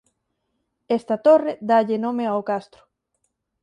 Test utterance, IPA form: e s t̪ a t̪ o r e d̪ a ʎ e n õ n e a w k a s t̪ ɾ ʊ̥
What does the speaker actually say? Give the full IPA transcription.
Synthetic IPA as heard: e s t̪ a t̪ o r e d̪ a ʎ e n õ m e a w k a s t̪ ɾ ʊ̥